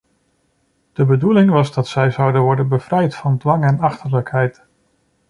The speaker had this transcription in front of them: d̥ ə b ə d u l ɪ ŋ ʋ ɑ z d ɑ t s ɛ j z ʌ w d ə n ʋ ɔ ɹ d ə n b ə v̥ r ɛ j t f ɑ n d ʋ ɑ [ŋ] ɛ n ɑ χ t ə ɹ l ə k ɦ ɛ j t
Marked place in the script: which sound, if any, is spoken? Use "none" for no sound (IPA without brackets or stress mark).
ŋ